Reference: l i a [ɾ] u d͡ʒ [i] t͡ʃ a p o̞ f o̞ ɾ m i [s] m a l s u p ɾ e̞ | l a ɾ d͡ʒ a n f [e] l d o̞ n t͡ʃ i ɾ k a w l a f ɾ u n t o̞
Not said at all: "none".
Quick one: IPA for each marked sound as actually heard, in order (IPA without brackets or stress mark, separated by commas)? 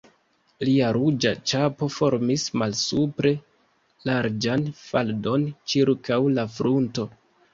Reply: ɾ, a, s, a